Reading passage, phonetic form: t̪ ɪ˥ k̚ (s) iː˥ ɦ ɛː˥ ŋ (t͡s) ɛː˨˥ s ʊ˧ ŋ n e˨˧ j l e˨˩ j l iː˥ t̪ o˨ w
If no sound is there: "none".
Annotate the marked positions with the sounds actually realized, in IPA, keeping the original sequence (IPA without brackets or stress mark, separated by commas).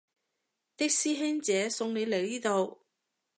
s, t͡s